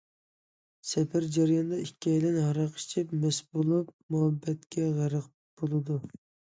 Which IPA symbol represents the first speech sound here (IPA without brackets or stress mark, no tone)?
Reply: s